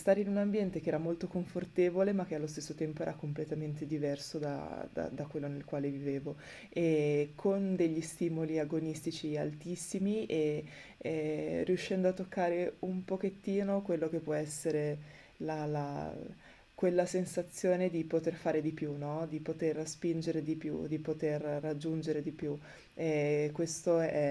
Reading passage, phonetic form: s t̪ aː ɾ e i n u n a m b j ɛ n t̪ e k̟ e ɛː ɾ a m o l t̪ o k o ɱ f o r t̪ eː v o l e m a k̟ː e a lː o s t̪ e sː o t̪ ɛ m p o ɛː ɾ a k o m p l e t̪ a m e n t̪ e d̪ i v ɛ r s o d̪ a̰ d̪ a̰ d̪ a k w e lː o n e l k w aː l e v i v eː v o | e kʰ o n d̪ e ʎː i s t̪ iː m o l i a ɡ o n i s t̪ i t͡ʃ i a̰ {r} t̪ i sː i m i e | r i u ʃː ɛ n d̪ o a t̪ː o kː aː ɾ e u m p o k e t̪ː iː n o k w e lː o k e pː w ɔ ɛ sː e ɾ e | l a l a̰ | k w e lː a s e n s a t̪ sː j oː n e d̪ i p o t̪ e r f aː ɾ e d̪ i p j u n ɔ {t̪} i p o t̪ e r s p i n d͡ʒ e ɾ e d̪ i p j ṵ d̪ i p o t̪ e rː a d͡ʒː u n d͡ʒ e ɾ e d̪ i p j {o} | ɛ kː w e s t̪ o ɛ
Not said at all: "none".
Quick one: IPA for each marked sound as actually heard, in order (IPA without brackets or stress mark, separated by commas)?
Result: l, d̪, u